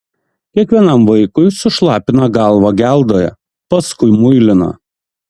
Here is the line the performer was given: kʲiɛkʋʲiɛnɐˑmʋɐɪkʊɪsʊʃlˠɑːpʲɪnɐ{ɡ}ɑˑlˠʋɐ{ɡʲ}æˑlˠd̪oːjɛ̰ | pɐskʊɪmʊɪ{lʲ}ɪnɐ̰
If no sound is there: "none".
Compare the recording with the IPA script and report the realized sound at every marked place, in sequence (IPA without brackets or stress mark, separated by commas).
ɡ, ɡʲ, lʲ